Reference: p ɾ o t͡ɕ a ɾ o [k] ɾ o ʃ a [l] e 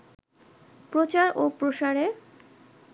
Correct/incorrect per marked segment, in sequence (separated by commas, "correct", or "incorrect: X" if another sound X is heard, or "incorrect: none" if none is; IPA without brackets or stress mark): incorrect: p, incorrect: ɾ